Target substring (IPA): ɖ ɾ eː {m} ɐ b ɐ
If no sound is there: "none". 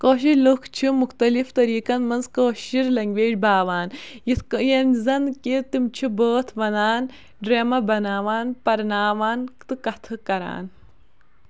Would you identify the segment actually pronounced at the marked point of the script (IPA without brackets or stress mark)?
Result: m